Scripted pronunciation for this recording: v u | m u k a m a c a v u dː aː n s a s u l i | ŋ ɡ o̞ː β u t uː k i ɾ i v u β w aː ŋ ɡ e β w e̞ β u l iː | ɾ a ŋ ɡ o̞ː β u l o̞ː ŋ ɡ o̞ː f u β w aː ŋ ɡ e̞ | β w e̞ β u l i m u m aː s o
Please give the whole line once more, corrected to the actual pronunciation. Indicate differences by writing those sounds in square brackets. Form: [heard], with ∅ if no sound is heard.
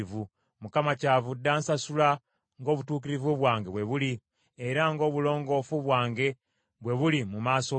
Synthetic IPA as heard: v u | m u k a m a c a v u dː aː n s a s u l [a] | ŋ ɡ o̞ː β u t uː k i ɾ i v u β w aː ŋ ɡ e β w e̞ β u l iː | ɾ a ŋ ɡ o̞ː β u l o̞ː ŋ ɡ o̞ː f u β w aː ŋ ɡ e̞ | β w e̞ β u l i m u m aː s o